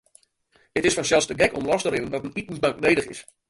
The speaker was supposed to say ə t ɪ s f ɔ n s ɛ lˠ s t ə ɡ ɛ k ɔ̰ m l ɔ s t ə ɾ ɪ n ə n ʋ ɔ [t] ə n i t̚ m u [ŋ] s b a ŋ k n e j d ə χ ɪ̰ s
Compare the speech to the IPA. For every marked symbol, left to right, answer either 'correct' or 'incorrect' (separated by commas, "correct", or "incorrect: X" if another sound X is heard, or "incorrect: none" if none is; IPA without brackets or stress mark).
correct, incorrect: none